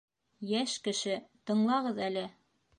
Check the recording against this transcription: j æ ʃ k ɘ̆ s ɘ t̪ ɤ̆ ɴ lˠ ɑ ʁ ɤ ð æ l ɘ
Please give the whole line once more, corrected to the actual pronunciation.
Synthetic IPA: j æ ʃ k ɘ̆ ʃ ɘ t̪ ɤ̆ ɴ lˠ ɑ ʁ ɤ ð æ l ɘ